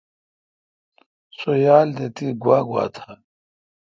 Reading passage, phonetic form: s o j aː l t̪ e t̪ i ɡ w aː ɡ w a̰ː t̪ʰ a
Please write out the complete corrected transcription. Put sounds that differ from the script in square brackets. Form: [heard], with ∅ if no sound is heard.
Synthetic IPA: s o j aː l [d̪] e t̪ i ɡ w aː ɡ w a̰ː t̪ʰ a